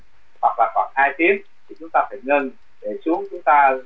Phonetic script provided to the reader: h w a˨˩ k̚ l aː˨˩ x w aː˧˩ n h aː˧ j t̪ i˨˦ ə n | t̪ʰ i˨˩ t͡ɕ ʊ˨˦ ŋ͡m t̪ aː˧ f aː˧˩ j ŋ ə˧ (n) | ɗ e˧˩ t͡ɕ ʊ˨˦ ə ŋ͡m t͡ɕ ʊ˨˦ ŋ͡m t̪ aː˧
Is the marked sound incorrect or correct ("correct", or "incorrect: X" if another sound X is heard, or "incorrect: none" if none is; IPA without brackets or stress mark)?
correct